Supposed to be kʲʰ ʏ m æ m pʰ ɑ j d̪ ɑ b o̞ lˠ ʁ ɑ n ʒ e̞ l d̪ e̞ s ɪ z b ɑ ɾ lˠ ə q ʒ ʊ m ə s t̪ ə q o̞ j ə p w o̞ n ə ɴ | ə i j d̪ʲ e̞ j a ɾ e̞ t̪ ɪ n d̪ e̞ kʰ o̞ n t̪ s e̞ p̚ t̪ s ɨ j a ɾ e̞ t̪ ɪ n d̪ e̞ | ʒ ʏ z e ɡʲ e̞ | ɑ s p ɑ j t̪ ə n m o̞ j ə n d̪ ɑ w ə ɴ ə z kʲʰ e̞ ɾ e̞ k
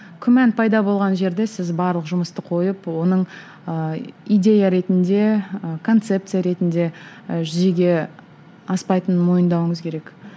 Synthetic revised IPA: kʲʰ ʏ m æ n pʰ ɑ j d̪ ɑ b o̞ lˠ ʁ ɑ n ʒ e̞ ɾ d̪ e̞ s ɪ z b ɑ ɾ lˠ ə q ʒ ʊ m ə s t̪ ə qʰ o̞ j ə p w o̞ n ə ɴ | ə i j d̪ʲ e̞ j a ɾ e̞ t̪ ɪ n d̪ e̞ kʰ o̞ n t̪ s e̞ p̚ t̪ s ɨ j a ɾ e̞ t̪ ɪ n d̪ e̞ | ʒ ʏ z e ɡʲ e̞ | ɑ s p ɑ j t̪ ə n m o̞ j ə n d̪ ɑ w ə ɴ ə z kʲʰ e̞ ɾ e̞ k